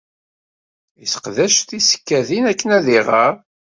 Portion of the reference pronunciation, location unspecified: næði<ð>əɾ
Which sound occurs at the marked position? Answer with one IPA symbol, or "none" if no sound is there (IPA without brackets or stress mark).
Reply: ʁ